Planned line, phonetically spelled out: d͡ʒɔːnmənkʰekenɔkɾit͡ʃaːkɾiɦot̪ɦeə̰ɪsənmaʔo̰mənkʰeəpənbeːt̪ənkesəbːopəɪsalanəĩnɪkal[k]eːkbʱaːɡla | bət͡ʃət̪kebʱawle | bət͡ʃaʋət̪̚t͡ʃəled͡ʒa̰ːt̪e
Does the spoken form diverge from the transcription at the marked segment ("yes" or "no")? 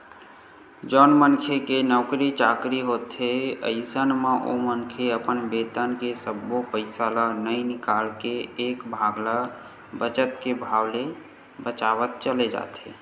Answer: no